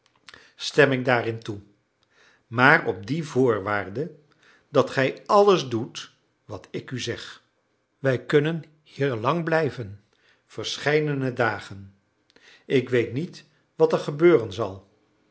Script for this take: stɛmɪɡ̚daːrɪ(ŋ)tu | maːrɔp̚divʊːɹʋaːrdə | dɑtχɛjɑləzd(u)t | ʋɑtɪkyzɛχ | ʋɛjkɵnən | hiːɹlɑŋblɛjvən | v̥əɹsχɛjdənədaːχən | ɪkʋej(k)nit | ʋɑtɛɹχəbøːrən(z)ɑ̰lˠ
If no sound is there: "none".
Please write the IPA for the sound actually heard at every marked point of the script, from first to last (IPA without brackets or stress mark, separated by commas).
n, u, t, z